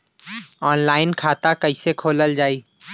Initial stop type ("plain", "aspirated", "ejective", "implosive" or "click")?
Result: aspirated